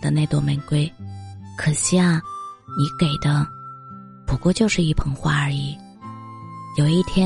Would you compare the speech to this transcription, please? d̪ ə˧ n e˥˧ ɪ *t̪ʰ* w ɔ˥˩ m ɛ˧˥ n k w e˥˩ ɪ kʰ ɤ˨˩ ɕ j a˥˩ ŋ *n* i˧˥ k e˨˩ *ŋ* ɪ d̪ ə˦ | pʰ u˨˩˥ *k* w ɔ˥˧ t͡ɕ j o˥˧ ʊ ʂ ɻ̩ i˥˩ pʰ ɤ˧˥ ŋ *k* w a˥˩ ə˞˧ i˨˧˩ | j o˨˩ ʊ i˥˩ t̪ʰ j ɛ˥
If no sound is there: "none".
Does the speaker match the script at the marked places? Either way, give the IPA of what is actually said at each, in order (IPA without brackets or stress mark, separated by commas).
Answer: t̪, n, none, k, x